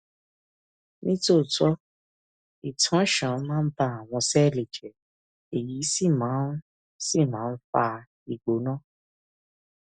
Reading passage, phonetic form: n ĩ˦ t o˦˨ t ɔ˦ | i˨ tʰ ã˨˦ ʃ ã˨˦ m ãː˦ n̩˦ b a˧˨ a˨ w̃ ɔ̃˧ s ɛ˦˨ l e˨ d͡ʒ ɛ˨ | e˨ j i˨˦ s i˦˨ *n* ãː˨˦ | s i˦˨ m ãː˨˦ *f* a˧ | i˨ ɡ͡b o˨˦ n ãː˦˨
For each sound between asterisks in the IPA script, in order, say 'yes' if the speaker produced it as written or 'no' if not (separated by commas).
no, yes